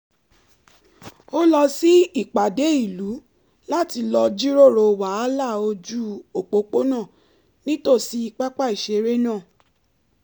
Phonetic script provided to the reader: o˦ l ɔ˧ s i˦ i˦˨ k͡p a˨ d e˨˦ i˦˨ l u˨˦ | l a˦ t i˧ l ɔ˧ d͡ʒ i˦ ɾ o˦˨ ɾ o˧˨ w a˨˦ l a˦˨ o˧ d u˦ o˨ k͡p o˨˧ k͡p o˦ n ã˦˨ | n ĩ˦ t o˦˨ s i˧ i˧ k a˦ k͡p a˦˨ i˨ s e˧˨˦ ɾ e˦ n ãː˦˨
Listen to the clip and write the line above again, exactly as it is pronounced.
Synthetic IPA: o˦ l ɔ˧ s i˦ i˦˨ k͡p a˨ d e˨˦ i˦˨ l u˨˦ | l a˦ t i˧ l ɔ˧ d͡ʒ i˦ ɾ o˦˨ ɾ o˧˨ w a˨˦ l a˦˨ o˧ d͡ʒ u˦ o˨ k͡p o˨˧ k͡p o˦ n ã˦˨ | n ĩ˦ t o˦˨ s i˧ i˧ k͡p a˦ k͡p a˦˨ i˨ ʃ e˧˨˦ ɾ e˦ n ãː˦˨